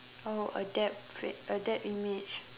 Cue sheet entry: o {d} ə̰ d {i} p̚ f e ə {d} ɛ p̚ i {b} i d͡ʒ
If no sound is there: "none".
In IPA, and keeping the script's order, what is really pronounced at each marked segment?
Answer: none, ɛ, d, m

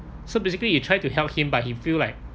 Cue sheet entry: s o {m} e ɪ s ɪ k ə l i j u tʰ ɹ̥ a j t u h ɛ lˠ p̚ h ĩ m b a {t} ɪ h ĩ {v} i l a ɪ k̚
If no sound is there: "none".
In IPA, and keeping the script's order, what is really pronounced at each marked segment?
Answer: b, none, f

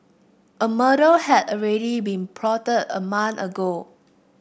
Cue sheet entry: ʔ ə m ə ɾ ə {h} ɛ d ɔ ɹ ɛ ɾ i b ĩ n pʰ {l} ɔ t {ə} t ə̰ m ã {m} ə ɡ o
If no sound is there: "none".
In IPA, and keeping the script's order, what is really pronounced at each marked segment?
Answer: h, ɹ, ə, n

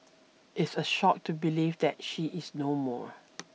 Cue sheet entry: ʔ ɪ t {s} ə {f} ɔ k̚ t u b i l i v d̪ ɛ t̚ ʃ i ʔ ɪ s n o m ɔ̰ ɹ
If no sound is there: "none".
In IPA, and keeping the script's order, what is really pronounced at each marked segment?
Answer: s, ʃ

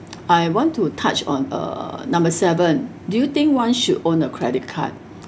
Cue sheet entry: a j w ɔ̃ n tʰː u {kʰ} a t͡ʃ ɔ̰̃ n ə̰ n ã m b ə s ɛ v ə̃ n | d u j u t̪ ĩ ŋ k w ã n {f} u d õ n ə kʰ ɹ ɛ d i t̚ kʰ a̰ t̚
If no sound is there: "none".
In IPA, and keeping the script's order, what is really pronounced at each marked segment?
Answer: tʰ, ʃ

